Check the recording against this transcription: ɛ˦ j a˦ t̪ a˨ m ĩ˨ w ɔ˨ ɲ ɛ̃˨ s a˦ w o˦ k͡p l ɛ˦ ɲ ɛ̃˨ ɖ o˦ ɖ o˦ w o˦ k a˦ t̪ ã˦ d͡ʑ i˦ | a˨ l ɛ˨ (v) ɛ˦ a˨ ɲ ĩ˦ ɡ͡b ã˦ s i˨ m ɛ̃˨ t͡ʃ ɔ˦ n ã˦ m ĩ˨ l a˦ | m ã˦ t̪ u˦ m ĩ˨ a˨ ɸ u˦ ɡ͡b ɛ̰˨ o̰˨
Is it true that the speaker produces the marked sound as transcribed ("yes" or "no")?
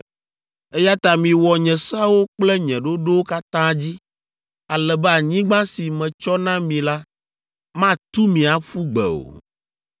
no